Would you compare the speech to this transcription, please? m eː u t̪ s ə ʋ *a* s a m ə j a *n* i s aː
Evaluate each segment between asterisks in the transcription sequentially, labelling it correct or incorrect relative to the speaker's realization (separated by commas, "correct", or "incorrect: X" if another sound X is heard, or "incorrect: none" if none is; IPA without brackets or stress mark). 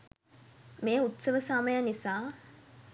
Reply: incorrect: ə, correct